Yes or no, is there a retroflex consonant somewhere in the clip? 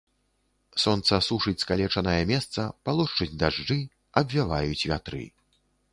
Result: yes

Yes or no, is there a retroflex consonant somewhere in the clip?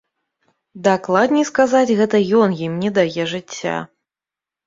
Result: yes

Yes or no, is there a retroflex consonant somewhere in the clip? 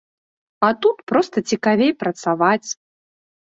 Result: no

